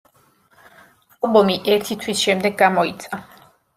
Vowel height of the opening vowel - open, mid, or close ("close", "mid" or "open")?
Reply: open